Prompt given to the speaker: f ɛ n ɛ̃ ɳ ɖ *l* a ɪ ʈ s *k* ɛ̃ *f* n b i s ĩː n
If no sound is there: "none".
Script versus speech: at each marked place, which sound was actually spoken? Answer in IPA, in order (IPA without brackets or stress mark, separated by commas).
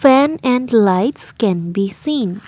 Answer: l, k, none